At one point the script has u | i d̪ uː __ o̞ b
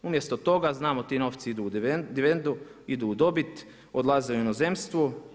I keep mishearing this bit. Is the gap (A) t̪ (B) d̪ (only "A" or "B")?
B